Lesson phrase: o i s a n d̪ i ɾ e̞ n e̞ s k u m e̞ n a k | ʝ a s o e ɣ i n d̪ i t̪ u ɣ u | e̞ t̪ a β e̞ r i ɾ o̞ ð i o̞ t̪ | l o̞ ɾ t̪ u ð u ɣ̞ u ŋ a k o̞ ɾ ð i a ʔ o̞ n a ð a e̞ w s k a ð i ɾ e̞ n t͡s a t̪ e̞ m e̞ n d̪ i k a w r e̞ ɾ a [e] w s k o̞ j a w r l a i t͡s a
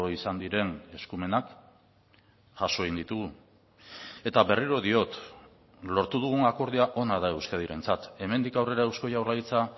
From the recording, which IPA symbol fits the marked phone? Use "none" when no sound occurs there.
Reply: e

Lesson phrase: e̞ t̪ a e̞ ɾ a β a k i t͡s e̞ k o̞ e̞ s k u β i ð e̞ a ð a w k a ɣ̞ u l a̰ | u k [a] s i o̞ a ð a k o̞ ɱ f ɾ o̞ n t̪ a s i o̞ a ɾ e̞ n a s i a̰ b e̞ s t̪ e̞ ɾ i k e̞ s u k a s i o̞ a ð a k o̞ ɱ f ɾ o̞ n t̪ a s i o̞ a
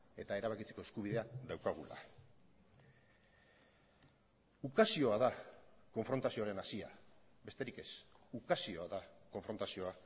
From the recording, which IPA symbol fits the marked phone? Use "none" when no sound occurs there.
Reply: a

